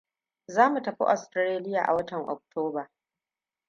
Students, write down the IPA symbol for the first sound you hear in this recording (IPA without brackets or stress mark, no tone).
z